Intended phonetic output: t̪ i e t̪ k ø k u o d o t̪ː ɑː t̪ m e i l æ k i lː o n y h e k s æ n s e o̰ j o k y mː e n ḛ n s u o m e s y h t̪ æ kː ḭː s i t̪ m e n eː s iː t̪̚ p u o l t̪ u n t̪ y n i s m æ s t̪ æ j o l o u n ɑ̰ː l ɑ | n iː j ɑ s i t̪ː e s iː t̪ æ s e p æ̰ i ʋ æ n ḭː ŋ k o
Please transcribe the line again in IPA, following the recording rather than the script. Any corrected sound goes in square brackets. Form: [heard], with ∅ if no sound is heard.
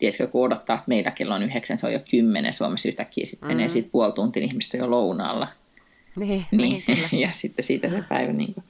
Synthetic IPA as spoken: t̪ i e t̪ k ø k u o d o t̪ː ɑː t̪ m e i l æ k [e] lː o n y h e k s æ n s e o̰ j o k y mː e n ḛ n s u o m e s y h t̪ æ kː ḭː s i t̪ m e n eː s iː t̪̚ p u o l t̪ u n t̪ [i] n i [h] m [i] s t̪ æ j o l o u n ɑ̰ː [lː] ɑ | n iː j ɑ s i t̪ː e s iː t̪ æ s e p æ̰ i ʋ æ n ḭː ŋ k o